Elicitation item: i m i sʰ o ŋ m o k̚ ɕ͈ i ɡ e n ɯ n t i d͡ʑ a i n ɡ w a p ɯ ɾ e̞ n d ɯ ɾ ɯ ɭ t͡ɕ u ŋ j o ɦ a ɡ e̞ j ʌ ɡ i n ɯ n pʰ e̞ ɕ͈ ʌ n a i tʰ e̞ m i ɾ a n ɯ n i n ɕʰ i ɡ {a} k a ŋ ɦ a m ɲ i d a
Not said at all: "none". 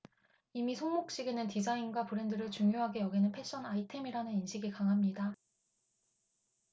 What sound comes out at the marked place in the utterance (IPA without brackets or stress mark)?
i